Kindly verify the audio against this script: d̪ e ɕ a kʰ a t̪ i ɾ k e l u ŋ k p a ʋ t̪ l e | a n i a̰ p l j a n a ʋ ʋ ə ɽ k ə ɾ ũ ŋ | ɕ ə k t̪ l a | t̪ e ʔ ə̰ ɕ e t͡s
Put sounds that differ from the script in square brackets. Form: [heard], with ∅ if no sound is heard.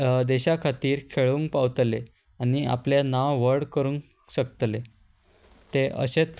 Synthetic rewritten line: d̪ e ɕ a kʰ a t̪ [iː] ɾ [kʰ] e [ɭ] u ŋ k p a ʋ t̪ l e | a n i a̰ p l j a n a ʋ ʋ ə ɽ k ə ɾ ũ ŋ | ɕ ə k t̪ l [e] | t̪ e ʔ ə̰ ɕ e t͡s

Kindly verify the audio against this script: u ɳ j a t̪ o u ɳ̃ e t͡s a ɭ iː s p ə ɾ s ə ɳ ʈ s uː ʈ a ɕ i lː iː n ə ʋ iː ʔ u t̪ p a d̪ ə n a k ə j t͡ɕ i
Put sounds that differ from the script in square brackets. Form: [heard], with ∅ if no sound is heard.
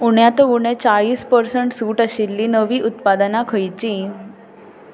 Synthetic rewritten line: u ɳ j a t̪ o u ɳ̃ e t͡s a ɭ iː s p ə ɾ s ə ɳ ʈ s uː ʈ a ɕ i lː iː n ə ʋ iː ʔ u t̪ p a d̪ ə n a [kʰ] ə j t͡ɕ i

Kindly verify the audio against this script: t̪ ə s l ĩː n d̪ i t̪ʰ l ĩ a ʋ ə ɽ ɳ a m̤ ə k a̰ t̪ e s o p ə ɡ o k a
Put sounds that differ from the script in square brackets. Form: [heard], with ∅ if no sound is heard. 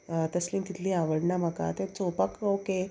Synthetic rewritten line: t̪ ə s l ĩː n [t̪] i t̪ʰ l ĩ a ʋ ə ɽ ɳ a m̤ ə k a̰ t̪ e [t͡s] o p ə [k] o k [e]

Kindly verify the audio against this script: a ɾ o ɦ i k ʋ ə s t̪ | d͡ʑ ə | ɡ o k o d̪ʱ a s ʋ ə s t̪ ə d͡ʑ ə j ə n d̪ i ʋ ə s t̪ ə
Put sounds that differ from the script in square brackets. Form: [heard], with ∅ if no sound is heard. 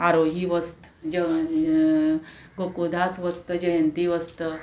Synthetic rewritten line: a ɾ o ɦ i [∅] ʋ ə s t̪ | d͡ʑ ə | ɡ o k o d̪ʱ a s ʋ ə s t̪ ə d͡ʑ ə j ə n [t̪] i ʋ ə s t̪ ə

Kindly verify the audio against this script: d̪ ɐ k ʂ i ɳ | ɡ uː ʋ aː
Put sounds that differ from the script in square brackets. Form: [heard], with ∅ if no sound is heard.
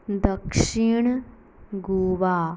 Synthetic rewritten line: d̪ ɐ k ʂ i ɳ | ɡ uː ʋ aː

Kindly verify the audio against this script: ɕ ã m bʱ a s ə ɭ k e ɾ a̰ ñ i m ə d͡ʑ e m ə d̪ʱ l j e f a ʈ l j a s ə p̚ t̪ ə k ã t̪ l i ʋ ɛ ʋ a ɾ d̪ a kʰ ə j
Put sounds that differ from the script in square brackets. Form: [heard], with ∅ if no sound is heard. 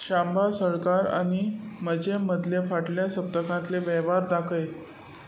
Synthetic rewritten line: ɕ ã m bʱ a s ə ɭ k [a] ɾ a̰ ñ i m ə d͡ʑ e m ə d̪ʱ l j e f a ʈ l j a s ə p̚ t̪ ə k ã t̪ l [e] ʋ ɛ ʋ a ɾ d̪ a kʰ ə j

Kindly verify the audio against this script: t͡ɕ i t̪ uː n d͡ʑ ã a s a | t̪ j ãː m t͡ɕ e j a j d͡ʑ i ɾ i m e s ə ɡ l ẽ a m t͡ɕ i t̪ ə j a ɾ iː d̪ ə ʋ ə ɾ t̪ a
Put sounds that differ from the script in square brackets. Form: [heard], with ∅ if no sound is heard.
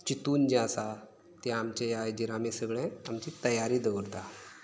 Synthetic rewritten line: t͡ɕ i t̪ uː n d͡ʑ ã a s a | t̪ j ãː m t͡ɕ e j a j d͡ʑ i ɾ [a] m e s ə ɡ [ɭ] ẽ a m t͡ɕ i t̪ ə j a ɾ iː d̪ ə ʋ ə ɾ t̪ a

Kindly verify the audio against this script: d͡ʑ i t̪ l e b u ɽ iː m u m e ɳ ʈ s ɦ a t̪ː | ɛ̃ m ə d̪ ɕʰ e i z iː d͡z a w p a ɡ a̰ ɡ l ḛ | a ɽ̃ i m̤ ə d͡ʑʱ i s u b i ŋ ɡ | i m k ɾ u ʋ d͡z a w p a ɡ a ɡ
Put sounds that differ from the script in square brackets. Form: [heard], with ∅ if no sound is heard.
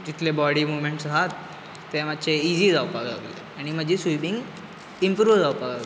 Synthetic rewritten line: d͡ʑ i t̪ l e b [ɔ] ɽ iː m u m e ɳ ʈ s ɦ a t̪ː | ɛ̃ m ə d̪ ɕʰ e i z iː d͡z a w p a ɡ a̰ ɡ l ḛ | a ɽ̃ i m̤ ə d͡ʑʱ i s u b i ŋ ɡ | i m [p] ɾ u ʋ d͡z a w p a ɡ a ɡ

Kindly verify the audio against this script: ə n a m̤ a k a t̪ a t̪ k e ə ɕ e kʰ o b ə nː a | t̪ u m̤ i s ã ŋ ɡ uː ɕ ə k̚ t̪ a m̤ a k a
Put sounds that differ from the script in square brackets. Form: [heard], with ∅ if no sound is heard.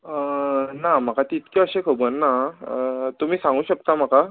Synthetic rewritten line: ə n a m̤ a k a t̪ [i] t̪ k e ə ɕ e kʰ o b ə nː a | t̪ u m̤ [iː] s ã ŋ ɡ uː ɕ ə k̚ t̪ a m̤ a k a

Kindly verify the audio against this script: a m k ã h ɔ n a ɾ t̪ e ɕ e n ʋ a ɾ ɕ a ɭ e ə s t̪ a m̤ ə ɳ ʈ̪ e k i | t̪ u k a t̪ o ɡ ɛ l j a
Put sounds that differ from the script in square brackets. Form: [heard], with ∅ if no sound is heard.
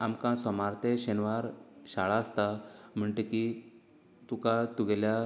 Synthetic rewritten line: a m k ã [s] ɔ [m] a ɾ t̪ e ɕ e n ʋ a ɾ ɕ a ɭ [a] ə s t̪ a m̤ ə ɳ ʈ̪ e k i | t̪ u k a t̪ [u] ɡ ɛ l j a

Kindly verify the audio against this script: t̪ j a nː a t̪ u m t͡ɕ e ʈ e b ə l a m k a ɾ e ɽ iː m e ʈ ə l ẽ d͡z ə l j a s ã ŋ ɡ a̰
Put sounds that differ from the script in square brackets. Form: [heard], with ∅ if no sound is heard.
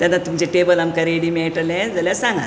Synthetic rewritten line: t̪ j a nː a t̪ u m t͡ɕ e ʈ e b ə l a m k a ɾ e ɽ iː m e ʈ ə l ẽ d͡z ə l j a s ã ŋ ɡ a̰

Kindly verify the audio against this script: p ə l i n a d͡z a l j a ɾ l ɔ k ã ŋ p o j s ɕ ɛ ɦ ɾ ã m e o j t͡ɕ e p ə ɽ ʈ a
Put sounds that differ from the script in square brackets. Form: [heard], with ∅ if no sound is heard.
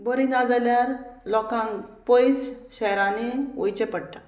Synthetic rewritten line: [b] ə [ɾ] i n a d͡z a l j a ɾ l ɔ k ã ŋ p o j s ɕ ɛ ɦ ɾ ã [n] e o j t͡ɕ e p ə ɽ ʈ a

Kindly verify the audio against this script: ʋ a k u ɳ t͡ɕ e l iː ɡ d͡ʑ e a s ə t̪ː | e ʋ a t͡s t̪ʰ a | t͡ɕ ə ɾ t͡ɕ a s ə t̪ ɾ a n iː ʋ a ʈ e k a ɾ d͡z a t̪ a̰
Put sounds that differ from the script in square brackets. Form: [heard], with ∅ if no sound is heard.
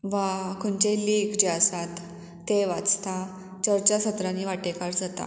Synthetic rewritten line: ʋ a k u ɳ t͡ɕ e l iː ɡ d͡ʑ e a s [a] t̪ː | e ʋ a t͡s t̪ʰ a | t͡ɕ ə ɾ t͡ɕ a s ə t̪ ɾ a n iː ʋ a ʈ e k a ɾ d͡z a t̪ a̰

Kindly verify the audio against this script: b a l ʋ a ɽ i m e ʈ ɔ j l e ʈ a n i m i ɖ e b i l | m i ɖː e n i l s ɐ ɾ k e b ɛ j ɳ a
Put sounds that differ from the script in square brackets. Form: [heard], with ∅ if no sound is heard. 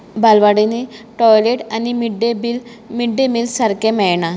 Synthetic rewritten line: b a l ʋ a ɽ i [n] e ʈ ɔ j l e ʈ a n i m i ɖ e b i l | m i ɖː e [m] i l s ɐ ɾ k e [m] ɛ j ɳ a

